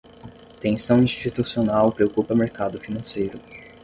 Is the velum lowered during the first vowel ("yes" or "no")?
yes